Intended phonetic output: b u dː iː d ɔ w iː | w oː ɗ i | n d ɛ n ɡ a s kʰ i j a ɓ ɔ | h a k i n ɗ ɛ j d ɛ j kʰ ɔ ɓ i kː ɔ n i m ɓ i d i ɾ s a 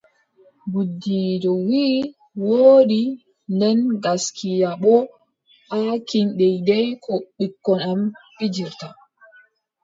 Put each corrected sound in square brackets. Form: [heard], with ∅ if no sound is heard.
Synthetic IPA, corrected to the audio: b u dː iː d ɔ w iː | w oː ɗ i | n d ɛ n ɡ a s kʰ i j a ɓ ɔ | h a k i n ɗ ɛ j d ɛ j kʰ ɔ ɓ i kː ɔ n [a] m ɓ i [d͡ʒ] i ɾ [t] a